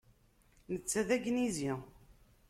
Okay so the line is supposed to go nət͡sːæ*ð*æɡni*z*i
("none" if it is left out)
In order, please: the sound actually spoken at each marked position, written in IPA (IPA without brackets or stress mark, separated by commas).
ð, z